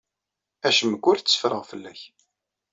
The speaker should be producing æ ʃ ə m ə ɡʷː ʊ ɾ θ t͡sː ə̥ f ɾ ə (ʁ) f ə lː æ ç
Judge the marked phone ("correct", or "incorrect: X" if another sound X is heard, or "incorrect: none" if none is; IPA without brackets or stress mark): correct